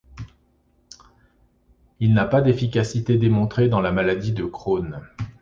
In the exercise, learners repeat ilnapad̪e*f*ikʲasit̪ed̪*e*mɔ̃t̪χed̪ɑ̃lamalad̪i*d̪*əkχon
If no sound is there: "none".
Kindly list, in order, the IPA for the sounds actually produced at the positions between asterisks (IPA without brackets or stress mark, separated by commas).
f, e, d̪